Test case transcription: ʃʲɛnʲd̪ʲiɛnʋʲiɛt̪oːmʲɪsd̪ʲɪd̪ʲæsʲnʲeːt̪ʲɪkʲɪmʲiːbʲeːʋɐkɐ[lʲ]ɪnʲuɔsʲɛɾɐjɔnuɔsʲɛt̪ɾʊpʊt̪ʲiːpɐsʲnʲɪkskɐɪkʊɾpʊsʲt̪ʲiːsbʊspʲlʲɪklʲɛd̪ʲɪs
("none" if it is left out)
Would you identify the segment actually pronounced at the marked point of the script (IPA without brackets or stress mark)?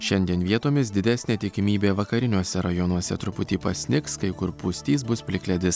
ɾʲ